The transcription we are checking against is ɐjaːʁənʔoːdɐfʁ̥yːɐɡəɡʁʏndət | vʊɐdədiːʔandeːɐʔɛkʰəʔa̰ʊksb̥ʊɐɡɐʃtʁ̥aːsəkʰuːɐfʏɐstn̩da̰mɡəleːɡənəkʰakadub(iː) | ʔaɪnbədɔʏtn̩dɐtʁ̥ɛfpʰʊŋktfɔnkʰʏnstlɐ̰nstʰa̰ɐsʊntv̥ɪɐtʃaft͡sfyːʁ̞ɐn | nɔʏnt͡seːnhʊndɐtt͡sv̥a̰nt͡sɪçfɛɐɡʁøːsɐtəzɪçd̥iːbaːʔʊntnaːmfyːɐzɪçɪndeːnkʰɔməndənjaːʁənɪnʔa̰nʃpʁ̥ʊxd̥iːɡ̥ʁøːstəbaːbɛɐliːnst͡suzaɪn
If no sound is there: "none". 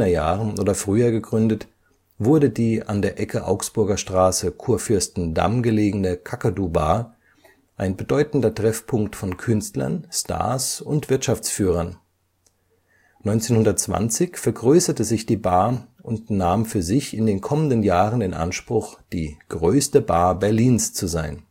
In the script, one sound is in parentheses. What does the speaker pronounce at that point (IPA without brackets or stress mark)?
aː